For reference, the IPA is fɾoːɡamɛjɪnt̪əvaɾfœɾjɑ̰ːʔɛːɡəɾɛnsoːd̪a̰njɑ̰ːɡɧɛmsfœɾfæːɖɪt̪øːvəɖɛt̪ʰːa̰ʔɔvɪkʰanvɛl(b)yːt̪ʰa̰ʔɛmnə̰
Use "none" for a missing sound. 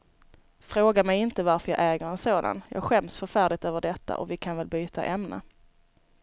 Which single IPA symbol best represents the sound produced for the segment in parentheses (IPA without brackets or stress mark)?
b